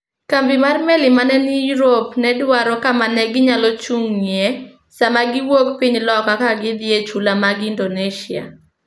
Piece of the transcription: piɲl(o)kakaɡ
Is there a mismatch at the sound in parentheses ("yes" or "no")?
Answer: yes